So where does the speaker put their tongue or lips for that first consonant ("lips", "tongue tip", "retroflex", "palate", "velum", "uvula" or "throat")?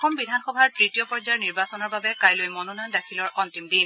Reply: velum